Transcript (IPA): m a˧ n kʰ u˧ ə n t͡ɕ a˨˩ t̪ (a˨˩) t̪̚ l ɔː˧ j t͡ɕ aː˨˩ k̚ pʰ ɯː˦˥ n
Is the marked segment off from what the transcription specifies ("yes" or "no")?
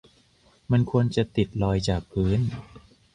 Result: yes